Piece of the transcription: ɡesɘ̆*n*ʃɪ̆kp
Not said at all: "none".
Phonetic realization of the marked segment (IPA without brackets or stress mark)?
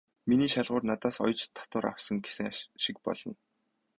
ŋ